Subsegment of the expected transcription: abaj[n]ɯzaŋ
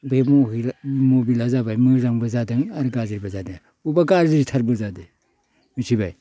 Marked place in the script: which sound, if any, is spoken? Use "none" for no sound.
m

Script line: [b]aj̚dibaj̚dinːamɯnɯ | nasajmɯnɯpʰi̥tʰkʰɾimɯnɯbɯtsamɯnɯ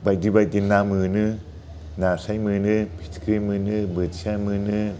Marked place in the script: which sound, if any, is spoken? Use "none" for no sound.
b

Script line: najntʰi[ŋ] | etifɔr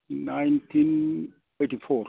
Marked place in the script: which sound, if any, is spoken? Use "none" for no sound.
n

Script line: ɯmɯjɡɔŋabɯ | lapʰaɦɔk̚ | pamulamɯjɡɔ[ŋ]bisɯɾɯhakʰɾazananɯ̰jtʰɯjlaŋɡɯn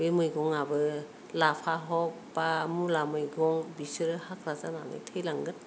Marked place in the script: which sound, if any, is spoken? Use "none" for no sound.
ŋ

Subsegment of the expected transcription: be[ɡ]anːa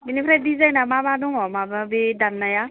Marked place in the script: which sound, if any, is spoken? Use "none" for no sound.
d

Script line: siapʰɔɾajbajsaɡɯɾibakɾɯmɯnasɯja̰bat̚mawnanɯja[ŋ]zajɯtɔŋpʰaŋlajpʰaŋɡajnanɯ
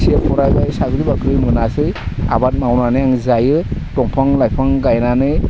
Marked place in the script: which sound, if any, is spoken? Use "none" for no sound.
ŋ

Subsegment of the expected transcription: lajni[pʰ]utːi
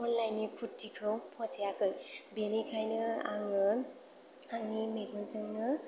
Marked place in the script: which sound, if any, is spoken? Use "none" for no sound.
kʰ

